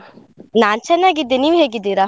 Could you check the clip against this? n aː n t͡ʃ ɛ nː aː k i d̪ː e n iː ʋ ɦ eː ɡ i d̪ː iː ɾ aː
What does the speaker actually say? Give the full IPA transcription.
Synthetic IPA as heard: n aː n t͡ʃ ɛ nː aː ɡ i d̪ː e n iː ʋ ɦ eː ɡ i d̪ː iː ɾ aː